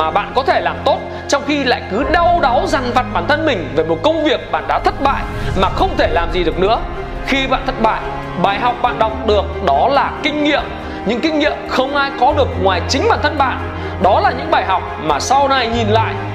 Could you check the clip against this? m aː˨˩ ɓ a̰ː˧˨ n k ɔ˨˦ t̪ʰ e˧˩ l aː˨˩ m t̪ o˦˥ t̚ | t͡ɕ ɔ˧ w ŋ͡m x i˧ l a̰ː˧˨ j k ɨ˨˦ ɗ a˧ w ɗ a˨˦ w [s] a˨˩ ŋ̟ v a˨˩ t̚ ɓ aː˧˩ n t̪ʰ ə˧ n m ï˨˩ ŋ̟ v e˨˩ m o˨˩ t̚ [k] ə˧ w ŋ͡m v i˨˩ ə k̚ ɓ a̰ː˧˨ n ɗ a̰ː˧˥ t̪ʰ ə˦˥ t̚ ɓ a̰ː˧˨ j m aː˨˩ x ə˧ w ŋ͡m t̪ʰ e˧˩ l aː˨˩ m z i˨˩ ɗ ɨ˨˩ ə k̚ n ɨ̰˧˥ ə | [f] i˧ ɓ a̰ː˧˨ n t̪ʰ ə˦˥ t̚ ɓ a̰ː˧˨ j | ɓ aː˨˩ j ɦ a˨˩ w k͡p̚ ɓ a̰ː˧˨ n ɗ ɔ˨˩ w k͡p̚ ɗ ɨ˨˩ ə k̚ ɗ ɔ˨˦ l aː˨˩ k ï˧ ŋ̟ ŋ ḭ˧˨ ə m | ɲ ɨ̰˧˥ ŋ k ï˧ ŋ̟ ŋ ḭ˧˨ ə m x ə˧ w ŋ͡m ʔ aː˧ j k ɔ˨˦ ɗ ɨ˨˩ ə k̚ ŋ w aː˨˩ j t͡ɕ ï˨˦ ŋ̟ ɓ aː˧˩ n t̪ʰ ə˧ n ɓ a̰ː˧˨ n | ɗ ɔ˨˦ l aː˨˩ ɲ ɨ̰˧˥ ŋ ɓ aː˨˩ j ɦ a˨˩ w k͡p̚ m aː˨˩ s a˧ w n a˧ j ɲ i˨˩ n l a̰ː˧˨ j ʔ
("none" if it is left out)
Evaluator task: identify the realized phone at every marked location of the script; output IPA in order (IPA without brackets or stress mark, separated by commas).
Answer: z, k, x